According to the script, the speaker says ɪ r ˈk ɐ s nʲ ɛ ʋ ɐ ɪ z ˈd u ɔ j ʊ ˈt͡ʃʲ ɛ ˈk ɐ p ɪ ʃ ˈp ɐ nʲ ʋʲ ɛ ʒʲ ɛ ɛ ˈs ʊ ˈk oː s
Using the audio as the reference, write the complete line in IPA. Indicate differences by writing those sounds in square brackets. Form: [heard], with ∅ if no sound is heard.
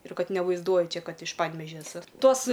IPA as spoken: ɪ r ˈk ɐ [t] nʲ ɛ ʋ ɐ ɪ z ˈd u ɔ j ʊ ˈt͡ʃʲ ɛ ˈk ɐ [t] ɪ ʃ ˈp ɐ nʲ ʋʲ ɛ ʒʲ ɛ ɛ ˈs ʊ [ˈt] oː s